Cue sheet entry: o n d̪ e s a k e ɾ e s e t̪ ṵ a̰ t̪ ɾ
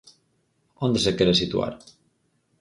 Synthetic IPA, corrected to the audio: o n d̪ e s e k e ɾ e s i t̪ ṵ a̰ ɾ